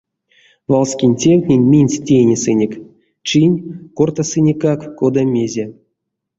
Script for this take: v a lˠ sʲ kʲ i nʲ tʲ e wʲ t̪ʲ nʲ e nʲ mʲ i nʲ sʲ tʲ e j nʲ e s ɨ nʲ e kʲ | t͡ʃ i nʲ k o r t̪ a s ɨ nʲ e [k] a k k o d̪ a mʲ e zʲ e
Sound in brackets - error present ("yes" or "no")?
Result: no